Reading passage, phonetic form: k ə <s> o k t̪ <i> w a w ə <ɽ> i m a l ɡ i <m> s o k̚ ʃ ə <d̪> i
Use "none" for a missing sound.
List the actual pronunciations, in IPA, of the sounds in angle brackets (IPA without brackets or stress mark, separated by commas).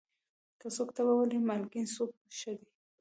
s, a, l, n, d̪